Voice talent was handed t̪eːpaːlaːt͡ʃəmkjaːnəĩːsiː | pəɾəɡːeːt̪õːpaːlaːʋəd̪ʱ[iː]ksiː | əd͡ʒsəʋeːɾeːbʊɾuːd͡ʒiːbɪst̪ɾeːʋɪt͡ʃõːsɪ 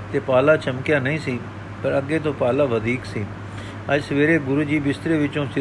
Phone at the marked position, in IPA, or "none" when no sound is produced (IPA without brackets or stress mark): iː